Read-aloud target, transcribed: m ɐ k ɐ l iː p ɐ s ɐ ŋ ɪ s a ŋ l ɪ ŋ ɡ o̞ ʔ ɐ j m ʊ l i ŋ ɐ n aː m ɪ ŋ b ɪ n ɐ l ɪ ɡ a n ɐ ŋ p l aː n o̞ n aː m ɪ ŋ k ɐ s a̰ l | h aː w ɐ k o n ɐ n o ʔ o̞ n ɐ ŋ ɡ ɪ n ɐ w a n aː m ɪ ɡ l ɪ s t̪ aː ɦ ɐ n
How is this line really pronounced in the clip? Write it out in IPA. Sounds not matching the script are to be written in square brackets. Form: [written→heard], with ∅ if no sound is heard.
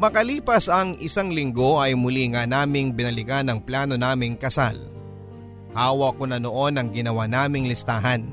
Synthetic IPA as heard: m ɐ k ɐ l iː p ɐ s ɐ ŋ ɪ s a ŋ l ɪ ŋ ɡ o̞ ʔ ɐ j m ʊ l i ŋ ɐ n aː m ɪ ŋ b ɪ n ɐ l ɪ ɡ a n ɐ ŋ p l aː n o̞ n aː m ɪ ŋ k ɐ s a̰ l | h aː w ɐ k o n ɐ n o ʔ o̞ n ɐ ŋ ɡ ɪ n ɐ w a n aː m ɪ [ɡ→ŋ] l ɪ s t̪ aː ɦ ɐ n